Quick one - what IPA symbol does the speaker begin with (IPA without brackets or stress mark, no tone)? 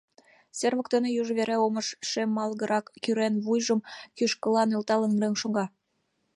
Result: s